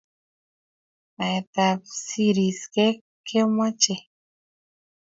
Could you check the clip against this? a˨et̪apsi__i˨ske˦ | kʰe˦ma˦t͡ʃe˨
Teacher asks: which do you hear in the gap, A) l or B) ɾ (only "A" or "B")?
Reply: B